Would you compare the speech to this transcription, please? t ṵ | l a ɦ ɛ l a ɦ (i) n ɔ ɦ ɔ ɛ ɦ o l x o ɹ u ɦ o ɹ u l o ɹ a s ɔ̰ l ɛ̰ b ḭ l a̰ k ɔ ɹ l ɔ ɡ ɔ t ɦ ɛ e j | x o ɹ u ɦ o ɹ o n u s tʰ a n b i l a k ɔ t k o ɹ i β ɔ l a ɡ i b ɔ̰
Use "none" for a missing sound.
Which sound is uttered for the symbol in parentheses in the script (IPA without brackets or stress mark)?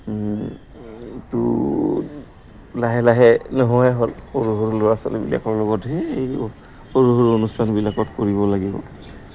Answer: ɛ